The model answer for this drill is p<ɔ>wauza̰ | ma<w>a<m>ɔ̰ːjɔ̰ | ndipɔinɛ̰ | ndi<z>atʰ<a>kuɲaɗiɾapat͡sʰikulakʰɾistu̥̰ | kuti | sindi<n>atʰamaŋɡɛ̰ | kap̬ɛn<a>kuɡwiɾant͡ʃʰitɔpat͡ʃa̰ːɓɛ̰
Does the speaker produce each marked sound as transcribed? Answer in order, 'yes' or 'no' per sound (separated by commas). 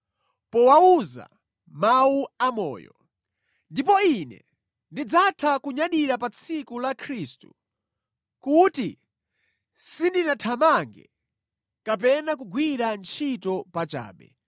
yes, no, yes, no, yes, yes, yes